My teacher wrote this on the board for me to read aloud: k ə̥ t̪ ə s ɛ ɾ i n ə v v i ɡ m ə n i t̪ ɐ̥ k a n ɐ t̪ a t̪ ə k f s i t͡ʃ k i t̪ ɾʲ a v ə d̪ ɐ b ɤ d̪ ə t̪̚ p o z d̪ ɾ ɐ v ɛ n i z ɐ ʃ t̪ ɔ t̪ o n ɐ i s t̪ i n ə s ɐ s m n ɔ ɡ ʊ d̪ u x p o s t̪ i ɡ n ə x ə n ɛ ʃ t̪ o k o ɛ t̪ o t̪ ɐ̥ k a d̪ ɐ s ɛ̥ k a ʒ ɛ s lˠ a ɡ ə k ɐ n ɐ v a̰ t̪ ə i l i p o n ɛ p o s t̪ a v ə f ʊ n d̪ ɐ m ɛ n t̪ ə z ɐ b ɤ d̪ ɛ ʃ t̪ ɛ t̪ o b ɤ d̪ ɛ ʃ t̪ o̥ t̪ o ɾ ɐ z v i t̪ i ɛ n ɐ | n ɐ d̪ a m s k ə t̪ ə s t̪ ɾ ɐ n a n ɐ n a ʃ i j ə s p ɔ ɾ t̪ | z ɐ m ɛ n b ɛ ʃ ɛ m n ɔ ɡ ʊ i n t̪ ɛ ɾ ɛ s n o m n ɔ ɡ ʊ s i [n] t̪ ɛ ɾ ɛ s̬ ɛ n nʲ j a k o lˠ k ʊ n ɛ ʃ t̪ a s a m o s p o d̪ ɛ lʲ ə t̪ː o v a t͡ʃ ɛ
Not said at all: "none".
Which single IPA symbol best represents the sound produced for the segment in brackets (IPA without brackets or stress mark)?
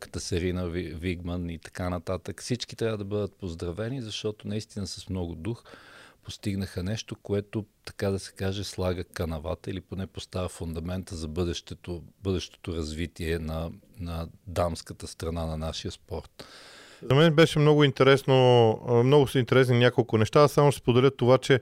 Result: n